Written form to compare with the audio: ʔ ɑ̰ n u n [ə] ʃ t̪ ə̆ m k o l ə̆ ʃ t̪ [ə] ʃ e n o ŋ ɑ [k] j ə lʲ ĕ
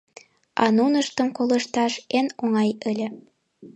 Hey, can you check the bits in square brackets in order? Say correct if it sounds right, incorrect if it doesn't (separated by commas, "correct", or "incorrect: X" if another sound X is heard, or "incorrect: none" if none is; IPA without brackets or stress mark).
correct, incorrect: ɑ, incorrect: none